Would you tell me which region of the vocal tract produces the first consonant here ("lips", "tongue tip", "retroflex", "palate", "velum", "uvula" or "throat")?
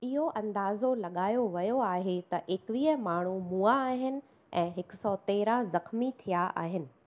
throat